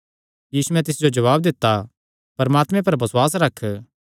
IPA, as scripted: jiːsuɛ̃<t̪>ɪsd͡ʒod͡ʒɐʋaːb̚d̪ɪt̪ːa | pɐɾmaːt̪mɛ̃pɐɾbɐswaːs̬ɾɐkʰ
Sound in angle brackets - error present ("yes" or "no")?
no